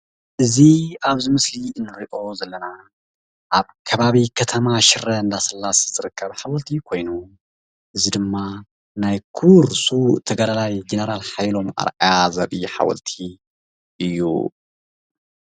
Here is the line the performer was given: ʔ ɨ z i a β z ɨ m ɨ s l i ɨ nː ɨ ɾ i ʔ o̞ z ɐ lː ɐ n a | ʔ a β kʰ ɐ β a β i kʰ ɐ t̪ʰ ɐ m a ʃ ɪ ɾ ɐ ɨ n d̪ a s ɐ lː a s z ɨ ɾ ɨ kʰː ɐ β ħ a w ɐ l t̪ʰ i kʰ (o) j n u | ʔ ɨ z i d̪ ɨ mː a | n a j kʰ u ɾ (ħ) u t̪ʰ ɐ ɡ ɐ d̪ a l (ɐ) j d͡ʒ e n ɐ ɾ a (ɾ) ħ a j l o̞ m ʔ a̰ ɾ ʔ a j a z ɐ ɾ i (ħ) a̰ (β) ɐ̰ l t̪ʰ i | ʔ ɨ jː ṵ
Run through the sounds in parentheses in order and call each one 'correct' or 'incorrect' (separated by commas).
correct, incorrect, incorrect, incorrect, correct, incorrect